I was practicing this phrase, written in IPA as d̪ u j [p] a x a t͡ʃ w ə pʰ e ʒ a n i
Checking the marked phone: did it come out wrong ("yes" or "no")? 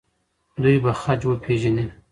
yes